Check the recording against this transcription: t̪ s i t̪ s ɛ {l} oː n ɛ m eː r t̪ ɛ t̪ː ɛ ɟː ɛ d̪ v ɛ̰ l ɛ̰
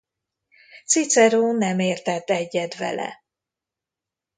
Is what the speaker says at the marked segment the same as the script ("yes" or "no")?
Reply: no